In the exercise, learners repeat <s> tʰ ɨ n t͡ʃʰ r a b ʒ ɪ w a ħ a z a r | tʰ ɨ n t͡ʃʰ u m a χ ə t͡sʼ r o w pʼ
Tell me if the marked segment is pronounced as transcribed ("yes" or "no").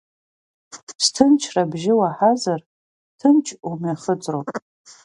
yes